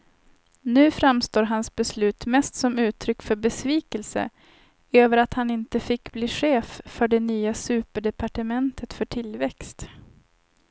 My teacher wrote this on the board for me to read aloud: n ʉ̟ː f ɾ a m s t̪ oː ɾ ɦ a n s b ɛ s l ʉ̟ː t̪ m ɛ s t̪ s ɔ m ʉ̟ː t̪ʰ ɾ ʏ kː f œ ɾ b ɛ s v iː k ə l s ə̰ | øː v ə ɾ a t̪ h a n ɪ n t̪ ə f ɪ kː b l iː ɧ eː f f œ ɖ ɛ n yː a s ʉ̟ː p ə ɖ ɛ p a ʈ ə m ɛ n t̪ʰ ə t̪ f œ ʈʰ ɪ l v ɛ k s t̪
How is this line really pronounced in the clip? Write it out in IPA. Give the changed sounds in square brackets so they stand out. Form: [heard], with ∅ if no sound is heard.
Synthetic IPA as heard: n ʉ̟ː f ɾ a m s t̪ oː ɾ ɦ a n s b ɛ s l ʉ̟ː t̪ m ɛ s t̪ s ɔ m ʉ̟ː t̪ʰ ɾ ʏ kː f œ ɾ b ɛ s v iː k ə l s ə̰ | øː v ə ɾ a t̪ h a n ɪ n t̪ ə f ɪ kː b l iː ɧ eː f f œ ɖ ɛ n yː a s ʉ̟ː p ə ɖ ɛ p a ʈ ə m ɛ n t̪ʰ ə t̪ f œ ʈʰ ɪ l v ɛ k s t̪